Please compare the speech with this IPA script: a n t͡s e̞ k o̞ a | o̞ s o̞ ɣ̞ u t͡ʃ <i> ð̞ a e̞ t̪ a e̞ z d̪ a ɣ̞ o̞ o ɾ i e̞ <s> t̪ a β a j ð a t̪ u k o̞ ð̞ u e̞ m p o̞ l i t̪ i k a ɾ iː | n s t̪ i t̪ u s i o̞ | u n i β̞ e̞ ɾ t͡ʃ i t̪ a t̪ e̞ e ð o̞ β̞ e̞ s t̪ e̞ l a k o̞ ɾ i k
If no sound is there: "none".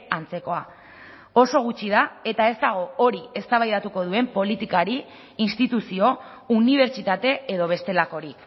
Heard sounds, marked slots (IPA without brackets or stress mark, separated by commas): i, s